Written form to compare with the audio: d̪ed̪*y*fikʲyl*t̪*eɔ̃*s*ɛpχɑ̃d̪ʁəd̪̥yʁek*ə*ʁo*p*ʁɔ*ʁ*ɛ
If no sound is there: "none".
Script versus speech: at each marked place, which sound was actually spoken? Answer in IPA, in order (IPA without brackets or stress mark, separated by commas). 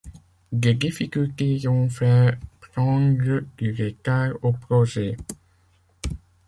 i, t̪, f, a, p, ʒ